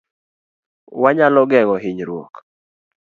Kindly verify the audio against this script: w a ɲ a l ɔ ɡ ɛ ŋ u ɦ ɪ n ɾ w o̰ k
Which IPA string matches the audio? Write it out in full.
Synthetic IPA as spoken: w a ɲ a l ɔ ɡ ɛ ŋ ɔ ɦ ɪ ɲ ɾ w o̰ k